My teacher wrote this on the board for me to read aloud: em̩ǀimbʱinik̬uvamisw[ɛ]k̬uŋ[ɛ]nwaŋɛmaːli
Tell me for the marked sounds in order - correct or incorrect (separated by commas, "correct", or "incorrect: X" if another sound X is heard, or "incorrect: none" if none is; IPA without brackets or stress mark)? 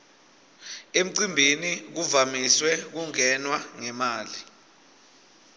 correct, correct